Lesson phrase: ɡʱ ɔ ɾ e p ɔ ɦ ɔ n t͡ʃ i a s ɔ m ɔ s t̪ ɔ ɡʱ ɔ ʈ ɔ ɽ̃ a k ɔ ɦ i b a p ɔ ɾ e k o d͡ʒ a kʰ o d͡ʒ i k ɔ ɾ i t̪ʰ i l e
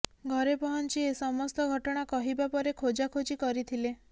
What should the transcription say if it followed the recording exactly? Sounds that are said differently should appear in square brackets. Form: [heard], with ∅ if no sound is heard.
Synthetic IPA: ɡʱ ɔ ɾ e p ɔ ɦ ɔ n t͡ʃ i [e] s ɔ m ɔ s t̪ ɔ ɡʱ ɔ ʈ ɔ ɽ̃ a k ɔ ɦ i b a p ɔ ɾ e [kʰ] o d͡ʒ a kʰ o d͡ʒ i k ɔ ɾ i t̪ʰ i l e

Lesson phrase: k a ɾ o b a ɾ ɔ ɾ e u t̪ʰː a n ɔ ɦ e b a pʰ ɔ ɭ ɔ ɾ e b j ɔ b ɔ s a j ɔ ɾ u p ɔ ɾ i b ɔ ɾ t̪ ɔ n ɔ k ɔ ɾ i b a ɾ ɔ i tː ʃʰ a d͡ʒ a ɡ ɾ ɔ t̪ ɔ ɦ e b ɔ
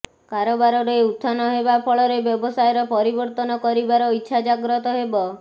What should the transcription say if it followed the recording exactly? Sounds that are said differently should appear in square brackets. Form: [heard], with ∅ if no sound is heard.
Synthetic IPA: k a ɾ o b a ɾ ɔ ɾ e u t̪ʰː a n ɔ ɦ e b a pʰ ɔ ɭ ɔ ɾ e b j ɔ b ɔ s a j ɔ ɾ [ɔ] p ɔ ɾ i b ɔ ɾ t̪ ɔ n ɔ k ɔ ɾ i b a ɾ ɔ i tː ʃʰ a d͡ʒ a ɡ ɾ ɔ t̪ ɔ ɦ e b ɔ

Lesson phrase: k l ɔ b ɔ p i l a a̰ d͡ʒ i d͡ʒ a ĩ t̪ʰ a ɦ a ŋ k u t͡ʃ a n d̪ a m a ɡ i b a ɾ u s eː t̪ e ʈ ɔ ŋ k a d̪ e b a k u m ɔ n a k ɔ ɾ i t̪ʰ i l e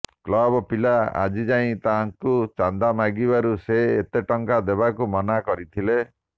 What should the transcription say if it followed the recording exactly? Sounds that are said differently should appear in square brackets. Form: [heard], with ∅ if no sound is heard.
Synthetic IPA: k l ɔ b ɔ p i l a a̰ d͡ʒ i d͡ʒ a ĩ [t̪] a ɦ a ŋ k u t͡ʃ a n d̪ a m a ɡ i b a ɾ u s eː t̪ e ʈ ɔ ŋ k a d̪ e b a k u m ɔ n a k ɔ ɾ i t̪ʰ i l e

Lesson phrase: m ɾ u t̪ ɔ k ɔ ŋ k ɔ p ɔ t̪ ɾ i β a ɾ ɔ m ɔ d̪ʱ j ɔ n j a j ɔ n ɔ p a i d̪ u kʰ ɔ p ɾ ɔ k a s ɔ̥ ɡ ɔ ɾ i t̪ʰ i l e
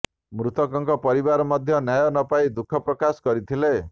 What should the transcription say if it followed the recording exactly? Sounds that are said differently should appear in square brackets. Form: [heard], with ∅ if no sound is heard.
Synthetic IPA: m ɾ u t̪ ɔ k ɔ ŋ k ɔ p ɔ [∅] ɾ i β a ɾ ɔ m ɔ d̪ʱ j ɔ n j a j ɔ n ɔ p a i d̪ u kʰ ɔ p ɾ ɔ k a s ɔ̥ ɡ ɔ ɾ i t̪ʰ i l e

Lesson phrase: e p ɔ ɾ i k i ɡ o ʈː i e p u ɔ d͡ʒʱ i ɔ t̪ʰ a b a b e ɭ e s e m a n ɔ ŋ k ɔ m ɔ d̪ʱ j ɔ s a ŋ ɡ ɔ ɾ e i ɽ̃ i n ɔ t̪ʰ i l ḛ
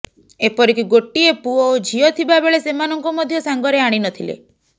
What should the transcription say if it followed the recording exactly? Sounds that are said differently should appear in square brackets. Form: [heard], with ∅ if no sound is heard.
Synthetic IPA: e p ɔ ɾ i k i ɡ o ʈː i e p u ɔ d͡ʒʱ i ɔ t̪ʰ [i] b a b e ɭ e s e m a n ɔ ŋ k ɔ m ɔ d̪ʱ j ɔ s a ŋ ɡ ɔ ɾ e [a] ɽ̃ i n ɔ t̪ʰ i l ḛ

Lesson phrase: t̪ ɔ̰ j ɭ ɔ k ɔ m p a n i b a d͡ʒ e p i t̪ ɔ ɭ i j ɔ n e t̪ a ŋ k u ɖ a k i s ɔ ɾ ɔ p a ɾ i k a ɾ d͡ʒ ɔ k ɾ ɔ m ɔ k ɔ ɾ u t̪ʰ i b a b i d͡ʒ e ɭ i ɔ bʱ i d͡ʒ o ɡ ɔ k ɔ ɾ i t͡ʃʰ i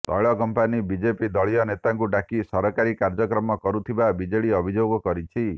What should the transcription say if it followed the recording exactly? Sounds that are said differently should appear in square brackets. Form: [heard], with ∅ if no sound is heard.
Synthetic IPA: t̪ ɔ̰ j ɭ ɔ k ɔ m p a n i b [i] d͡ʒ e p i [d̪] ɔ ɭ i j ɔ n e t̪ a ŋ k u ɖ a k i s ɔ ɾ ɔ [k] a ɾ i k a ɾ d͡ʒ ɔ k ɾ ɔ m ɔ k ɔ ɾ u t̪ʰ i b a b i d͡ʒ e ɭ i ɔ bʱ i d͡ʒ o ɡ ɔ k ɔ ɾ i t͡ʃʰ i

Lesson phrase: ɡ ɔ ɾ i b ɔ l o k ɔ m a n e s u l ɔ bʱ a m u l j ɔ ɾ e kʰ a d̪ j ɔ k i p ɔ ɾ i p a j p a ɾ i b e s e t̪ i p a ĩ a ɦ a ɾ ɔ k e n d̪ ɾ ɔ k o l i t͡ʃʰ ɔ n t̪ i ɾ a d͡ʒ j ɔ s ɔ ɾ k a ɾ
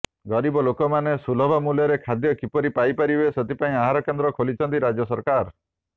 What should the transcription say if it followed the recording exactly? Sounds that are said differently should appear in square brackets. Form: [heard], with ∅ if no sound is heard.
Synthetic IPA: ɡ ɔ ɾ i b ɔ l o k ɔ m a n e s u l ɔ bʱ a m u l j ɔ ɾ e kʰ a d̪ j ɔ k i p ɔ ɾ i p a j p a ɾ i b e s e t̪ i p a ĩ a ɦ a ɾ ɔ k e n d̪ ɾ ɔ [kʰ] o l i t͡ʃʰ ɔ n t̪ i ɾ a d͡ʒ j ɔ s ɔ ɾ k a ɾ

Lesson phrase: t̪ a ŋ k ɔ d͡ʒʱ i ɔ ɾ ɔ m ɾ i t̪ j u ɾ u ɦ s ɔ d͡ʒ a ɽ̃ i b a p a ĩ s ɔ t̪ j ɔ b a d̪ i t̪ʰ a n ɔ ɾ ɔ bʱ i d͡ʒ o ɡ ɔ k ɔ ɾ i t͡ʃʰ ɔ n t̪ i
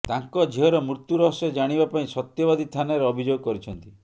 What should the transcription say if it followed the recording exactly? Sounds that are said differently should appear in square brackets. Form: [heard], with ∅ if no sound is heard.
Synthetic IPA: t̪ a ŋ k ɔ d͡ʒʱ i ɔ ɾ ɔ m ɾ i t̪ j u ɾ [ɔ] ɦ s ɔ d͡ʒ a ɽ̃ i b a p a ĩ s ɔ t̪ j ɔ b a d̪ i t̪ʰ a n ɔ ɾ ɔ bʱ i d͡ʒ o ɡ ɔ k ɔ ɾ i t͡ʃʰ ɔ n t̪ i

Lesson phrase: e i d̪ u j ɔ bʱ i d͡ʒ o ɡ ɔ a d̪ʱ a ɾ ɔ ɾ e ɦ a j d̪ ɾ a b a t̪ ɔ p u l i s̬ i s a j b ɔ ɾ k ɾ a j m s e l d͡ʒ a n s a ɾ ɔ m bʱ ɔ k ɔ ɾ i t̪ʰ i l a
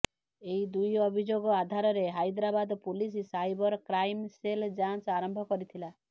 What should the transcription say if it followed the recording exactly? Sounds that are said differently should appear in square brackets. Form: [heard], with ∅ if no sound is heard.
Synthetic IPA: e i d̪ u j ɔ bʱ i d͡ʒ o ɡ ɔ a d̪ʱ a ɾ ɔ ɾ e ɦ a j d̪ ɾ a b a [d̪] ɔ p u l i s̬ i s a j b ɔ ɾ k ɾ a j m s e l d͡ʒ a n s a ɾ ɔ m bʱ ɔ k ɔ ɾ i t̪ʰ i l a

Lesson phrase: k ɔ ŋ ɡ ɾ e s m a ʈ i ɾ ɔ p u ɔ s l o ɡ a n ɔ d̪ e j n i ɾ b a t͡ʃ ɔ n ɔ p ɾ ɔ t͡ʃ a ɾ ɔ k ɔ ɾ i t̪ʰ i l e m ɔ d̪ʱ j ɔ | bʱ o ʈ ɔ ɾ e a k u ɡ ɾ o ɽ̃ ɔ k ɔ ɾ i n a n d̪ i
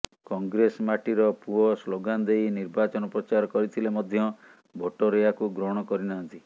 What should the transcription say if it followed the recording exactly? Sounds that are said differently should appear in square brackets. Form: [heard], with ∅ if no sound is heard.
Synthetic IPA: k ɔ ŋ ɡ ɾ e s m a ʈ i ɾ ɔ p u ɔ s l o ɡ a n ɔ d̪ e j n i ɾ b a t͡ʃ ɔ n ɔ p ɾ ɔ t͡ʃ a ɾ ɔ k ɔ ɾ i t̪ʰ i l e m ɔ d̪ʱ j ɔ | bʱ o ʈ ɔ ɾ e a k u ɡ ɾ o ɽ̃ ɔ k ɔ ɾ i n a n [t̪] i

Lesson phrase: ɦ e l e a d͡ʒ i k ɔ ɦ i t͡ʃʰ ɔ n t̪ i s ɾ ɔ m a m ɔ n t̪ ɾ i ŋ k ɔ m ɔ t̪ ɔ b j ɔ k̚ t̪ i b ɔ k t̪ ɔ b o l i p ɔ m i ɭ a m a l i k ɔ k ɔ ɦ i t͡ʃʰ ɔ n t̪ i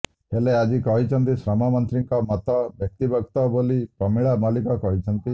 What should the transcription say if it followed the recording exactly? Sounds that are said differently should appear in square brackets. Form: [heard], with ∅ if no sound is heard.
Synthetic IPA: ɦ e l e a d͡ʒ i k ɔ ɦ i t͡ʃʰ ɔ n t̪ i s ɾ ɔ m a m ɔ n t̪ ɾ i ŋ k ɔ m ɔ t̪ ɔ b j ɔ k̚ t̪ i b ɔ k t̪ ɔ b o l i p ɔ m i ɭ a m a l i k ɔ k ɔ ɦ i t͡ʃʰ ɔ n t̪ i

